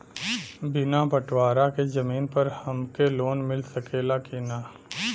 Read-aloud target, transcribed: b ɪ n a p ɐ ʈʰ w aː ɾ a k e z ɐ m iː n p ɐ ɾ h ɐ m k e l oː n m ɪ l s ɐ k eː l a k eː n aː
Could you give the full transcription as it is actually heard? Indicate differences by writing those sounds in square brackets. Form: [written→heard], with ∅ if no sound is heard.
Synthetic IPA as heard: b ɪ n a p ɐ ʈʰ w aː ɾ a k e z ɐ m iː n p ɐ ɾ h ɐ m k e l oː n m ɪ l s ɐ k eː l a k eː n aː